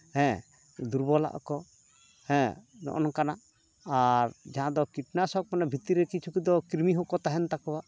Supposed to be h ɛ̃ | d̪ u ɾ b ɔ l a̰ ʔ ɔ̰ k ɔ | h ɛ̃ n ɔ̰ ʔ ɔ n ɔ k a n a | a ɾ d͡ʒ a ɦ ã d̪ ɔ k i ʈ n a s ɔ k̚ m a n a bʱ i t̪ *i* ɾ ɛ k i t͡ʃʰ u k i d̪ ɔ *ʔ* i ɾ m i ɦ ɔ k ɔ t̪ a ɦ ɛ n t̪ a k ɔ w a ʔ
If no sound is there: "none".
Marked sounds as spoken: i, k

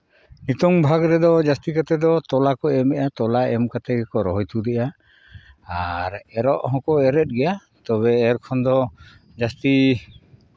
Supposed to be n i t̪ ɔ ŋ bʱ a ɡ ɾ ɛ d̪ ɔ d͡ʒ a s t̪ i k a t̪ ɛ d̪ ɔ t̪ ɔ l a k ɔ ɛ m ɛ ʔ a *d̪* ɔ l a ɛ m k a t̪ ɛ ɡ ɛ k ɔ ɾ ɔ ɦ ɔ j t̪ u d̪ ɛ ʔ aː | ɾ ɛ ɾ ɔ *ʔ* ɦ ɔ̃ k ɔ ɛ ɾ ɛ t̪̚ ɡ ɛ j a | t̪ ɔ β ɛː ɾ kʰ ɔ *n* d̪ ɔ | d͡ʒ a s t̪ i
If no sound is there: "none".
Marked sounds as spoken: t̪, ʔ, n

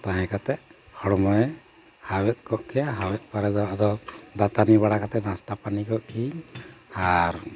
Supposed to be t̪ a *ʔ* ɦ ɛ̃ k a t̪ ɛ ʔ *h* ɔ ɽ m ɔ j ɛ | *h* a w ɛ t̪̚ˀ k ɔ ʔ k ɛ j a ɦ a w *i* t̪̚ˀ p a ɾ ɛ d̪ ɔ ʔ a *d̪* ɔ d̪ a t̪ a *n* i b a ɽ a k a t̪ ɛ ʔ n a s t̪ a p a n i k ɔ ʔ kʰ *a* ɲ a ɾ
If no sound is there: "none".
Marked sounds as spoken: none, h, h, ɛ, d̪, n, i

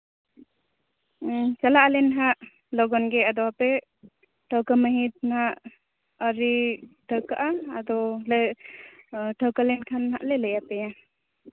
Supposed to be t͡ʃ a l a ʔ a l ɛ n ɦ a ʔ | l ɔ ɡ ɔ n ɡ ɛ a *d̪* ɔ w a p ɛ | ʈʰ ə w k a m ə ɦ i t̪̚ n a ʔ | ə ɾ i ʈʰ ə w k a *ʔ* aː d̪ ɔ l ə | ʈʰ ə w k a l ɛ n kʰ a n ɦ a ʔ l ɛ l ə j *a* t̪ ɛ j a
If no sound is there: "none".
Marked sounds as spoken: d̪, ʔ, a

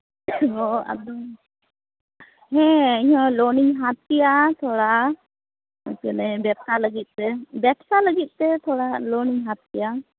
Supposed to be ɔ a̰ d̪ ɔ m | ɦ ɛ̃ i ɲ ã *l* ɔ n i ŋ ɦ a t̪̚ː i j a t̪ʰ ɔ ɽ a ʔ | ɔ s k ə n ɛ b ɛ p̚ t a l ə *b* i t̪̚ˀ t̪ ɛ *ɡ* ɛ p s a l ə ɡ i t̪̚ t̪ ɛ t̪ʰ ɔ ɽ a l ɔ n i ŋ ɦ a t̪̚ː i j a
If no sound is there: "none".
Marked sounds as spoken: l, ɡ, b

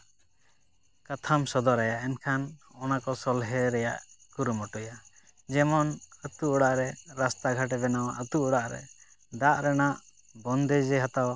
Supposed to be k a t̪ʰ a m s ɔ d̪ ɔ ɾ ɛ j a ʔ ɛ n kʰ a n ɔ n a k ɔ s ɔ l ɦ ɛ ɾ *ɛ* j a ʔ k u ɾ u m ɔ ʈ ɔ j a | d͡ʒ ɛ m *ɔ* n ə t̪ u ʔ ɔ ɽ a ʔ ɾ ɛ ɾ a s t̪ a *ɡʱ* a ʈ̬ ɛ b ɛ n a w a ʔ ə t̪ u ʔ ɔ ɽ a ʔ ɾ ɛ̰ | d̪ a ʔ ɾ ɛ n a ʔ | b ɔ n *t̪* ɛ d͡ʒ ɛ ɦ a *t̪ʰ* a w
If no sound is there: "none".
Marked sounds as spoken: ɛ, ɔ, ɡʱ, d̪, t̪

